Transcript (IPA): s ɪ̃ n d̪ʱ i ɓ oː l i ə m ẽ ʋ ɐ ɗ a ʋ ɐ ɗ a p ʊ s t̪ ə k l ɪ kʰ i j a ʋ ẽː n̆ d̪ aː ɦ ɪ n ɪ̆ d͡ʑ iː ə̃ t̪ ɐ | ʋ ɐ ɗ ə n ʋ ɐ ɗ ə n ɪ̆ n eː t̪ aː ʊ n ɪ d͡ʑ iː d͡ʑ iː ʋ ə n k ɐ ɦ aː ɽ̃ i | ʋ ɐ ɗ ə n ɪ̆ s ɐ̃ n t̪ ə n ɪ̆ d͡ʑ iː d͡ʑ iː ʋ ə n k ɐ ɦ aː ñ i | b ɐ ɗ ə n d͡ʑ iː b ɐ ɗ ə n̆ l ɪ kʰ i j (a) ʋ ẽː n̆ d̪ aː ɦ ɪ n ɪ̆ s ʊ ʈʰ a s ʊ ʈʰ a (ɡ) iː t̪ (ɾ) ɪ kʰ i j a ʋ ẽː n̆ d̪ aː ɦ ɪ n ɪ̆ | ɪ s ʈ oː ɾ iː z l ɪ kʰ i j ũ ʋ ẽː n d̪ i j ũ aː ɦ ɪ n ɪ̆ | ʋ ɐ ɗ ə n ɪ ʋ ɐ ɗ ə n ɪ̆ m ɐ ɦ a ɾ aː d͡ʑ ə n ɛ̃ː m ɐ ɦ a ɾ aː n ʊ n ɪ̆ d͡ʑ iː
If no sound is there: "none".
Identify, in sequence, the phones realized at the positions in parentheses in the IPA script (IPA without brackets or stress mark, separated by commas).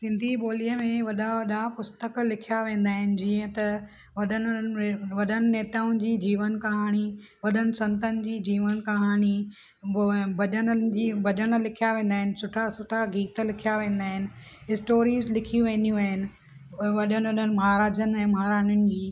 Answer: a, ɡ, l